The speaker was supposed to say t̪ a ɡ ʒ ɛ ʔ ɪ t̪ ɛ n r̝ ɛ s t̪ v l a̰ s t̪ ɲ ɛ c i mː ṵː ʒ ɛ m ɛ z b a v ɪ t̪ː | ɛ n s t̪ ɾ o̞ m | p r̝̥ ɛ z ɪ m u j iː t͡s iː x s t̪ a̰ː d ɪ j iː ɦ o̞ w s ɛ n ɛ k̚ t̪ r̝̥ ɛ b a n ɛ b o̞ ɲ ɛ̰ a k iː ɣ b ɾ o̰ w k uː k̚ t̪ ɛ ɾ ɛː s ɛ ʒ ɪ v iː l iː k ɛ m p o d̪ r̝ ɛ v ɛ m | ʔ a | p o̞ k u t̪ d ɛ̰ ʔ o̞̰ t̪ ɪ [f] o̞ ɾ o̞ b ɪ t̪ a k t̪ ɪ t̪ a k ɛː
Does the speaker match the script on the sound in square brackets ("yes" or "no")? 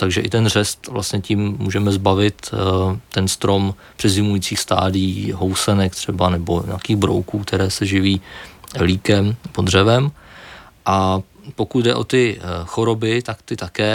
no